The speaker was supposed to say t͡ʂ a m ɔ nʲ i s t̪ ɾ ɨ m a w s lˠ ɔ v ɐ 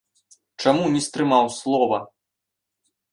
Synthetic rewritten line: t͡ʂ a m u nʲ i s t̪ ɾ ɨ m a w s lˠ ɔ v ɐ